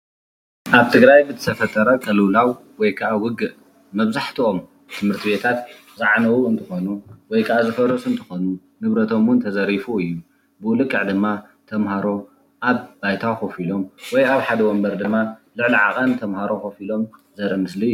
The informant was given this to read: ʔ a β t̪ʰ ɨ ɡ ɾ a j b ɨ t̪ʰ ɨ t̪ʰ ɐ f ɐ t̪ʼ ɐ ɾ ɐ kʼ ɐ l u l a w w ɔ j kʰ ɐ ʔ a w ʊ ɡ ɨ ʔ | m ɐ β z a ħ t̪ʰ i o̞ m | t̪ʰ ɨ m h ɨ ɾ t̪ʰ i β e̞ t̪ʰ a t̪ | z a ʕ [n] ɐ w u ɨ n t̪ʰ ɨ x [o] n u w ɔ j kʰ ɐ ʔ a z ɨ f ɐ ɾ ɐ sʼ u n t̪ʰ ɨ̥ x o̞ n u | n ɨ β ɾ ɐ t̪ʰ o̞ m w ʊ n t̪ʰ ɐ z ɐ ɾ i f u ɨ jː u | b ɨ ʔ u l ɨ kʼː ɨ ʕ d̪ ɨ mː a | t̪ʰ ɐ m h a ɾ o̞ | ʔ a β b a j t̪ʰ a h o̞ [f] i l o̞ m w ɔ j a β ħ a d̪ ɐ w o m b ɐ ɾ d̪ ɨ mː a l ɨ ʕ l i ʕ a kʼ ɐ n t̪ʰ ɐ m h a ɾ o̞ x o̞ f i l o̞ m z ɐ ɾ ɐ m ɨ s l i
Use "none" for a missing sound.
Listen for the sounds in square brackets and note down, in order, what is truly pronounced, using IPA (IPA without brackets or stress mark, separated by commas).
n, o, f